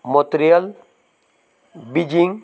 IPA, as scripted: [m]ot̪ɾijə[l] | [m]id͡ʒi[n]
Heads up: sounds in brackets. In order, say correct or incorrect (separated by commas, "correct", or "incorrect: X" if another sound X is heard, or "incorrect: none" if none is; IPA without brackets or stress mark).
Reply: correct, correct, incorrect: b, incorrect: ŋ